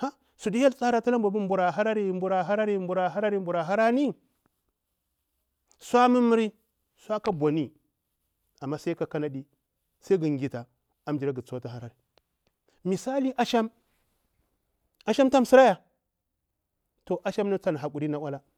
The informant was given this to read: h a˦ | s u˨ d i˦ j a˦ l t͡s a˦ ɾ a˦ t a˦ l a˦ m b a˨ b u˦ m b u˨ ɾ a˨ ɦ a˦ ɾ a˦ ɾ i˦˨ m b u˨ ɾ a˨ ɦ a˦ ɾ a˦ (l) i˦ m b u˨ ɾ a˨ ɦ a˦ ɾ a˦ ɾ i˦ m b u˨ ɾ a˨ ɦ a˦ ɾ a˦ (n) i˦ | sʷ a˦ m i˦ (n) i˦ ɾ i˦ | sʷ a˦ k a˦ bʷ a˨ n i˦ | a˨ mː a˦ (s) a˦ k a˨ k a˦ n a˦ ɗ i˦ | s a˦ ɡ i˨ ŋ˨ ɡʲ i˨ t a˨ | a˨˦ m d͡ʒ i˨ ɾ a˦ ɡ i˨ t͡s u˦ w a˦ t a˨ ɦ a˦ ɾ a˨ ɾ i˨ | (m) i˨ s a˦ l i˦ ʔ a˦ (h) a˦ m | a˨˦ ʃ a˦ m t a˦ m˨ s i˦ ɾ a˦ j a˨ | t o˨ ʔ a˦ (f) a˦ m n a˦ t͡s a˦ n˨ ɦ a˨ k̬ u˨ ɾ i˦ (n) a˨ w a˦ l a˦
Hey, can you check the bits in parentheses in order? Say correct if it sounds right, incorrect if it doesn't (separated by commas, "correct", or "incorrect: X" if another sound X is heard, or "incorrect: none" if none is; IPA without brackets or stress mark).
incorrect: ɾ, correct, incorrect: m, correct, correct, incorrect: ʃ, incorrect: ʃ, correct